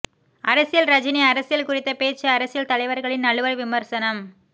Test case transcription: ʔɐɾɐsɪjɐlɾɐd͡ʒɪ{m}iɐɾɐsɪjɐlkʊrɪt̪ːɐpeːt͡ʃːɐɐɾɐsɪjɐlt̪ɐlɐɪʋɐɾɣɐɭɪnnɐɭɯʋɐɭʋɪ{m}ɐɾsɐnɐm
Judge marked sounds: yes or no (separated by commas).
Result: no, yes